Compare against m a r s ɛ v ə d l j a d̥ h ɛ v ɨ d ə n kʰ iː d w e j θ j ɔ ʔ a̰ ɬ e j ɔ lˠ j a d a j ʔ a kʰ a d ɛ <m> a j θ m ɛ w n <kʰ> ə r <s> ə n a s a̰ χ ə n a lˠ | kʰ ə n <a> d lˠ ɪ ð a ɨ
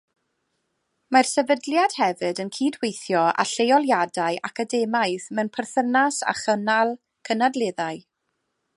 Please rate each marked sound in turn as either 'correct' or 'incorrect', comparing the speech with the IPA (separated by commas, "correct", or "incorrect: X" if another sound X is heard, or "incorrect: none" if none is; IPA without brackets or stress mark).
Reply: correct, incorrect: pʰ, incorrect: θ, correct